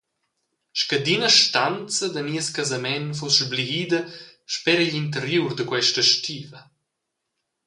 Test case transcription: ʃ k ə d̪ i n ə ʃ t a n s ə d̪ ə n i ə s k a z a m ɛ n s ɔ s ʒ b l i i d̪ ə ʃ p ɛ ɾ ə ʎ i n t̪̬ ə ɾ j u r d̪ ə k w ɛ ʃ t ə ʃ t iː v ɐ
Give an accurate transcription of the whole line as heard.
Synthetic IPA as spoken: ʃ k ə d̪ i n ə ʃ t a n t͡s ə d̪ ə n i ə s k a z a m ɛ n f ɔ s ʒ b l i i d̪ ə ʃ p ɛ ɾ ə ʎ i n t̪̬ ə ɾ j u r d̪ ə k w ɛ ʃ t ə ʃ t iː v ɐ

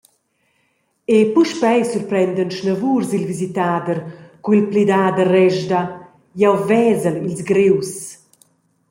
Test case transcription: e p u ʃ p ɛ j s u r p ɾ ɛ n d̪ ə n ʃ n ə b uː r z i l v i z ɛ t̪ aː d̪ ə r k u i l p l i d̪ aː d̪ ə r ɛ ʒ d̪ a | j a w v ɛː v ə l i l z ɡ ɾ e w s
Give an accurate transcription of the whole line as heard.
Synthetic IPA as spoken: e p u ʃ p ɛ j s u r p ɾ ɛ n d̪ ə n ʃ n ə v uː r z i l v i z i t̪ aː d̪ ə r k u i l p l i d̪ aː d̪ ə r ɛ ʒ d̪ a | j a w v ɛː z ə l i l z ɡ ɾ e w s

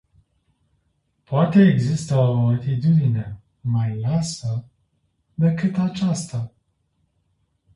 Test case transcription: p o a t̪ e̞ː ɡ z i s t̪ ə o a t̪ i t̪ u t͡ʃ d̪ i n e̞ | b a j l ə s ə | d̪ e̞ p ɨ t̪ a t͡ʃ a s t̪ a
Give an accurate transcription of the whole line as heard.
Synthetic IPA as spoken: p o a t̪ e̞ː ɡ z i s t̪ ə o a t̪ i t̪ u d̪ i n e̞ | m a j l a s ə | d̪ e̞ k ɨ t̪ a t͡ʃ a s t̪ a

